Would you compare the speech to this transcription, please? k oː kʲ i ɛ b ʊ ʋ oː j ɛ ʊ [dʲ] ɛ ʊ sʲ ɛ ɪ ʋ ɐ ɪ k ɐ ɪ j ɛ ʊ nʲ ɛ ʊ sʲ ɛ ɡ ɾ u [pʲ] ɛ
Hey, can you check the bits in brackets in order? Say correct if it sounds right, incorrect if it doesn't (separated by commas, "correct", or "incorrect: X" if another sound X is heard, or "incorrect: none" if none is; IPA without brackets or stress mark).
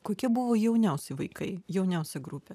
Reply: incorrect: nʲ, correct